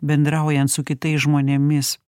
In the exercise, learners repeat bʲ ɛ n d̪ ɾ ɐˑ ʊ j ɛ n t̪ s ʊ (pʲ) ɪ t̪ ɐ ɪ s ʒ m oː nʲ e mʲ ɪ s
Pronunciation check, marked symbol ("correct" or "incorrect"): incorrect